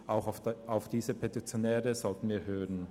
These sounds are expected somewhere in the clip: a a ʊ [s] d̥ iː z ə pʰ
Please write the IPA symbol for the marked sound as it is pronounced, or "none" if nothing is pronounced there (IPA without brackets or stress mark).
f